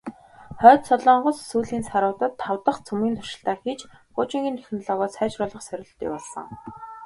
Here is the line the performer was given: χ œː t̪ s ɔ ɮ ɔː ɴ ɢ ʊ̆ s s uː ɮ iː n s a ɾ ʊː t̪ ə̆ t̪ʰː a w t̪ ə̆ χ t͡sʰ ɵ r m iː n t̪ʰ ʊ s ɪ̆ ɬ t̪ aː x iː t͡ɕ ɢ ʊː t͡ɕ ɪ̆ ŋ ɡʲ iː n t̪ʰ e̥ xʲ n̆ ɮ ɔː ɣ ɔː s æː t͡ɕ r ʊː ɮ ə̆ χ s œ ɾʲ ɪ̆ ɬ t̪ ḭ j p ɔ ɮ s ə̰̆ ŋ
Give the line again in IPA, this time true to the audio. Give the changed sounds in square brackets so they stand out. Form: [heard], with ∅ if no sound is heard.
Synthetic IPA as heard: χ œː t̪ s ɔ ɮ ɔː ɴ ɢ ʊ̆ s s uː ɮ iː n s a ɾ ʊː t̪ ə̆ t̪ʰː a w t̪ ə̆ χ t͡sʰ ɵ [∅] m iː n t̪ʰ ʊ [ʃ] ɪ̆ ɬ t̪ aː x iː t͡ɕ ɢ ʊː t͡ɕ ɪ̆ ŋ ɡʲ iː n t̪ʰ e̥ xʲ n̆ ɮ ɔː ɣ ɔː s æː t͡ɕ r ʊː ɮ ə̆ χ s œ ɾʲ ɪ̆ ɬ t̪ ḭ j p ɔ ɮ s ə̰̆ ŋ